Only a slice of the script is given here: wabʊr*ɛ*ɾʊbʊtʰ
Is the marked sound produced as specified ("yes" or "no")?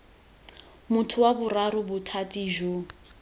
no